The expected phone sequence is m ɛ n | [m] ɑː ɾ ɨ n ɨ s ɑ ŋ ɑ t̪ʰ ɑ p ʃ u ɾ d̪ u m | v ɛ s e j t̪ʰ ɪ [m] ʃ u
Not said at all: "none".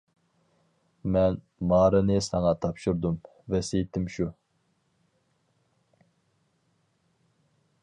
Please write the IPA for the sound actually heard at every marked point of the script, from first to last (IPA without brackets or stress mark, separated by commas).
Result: m, m